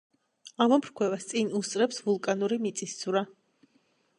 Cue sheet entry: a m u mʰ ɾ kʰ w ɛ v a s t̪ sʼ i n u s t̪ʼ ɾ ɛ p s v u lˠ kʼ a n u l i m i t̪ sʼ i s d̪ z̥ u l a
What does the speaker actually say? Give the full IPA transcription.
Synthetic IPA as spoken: a m ɔ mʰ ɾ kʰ w ɛ v a s t̪ sʼ i n u s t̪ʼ ɾ ɛ p s v u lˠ kʼ a n u ɾ i m i t̪ sʼ i s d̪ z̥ u ɾ a